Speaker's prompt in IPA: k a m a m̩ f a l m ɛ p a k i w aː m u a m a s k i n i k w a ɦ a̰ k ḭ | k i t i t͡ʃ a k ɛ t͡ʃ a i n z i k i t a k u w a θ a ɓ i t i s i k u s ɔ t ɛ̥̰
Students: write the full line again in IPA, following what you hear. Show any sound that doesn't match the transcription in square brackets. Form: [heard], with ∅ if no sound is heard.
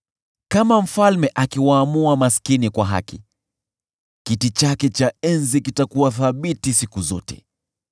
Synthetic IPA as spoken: k a m a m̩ f a l m ɛ [ʔ] a k i w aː m u a m a s k i n i k w a ɦ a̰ k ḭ | k i t i t͡ʃ a k ɛ t͡ʃ a [ɛ] n z i k i t a k u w a θ a ɓ i t i s i k u [z] ɔ t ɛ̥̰